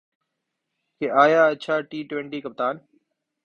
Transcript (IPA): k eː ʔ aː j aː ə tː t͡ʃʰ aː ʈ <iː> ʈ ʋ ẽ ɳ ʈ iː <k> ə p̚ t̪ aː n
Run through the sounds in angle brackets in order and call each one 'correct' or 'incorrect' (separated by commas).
correct, correct